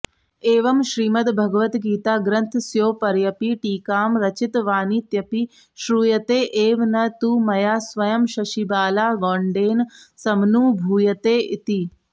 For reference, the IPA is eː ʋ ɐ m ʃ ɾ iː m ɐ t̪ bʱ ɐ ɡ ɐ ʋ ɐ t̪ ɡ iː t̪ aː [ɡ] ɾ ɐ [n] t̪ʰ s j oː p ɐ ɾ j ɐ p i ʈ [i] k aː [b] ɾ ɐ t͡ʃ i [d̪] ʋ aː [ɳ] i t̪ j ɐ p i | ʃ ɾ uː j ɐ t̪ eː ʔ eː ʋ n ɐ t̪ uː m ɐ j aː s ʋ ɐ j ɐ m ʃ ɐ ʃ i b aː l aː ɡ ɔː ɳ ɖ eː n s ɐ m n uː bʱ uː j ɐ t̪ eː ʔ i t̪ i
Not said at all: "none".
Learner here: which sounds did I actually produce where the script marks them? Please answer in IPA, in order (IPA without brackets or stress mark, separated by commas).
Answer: ɡ, n, iː, m, t̪, n